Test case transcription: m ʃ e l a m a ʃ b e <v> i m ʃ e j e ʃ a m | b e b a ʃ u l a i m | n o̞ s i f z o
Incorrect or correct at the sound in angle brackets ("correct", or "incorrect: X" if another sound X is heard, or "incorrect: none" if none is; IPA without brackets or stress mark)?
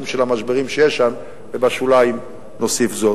incorrect: ʁ